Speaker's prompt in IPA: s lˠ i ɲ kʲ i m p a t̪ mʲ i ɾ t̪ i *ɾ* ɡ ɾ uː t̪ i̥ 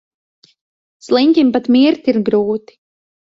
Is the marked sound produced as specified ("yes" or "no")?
yes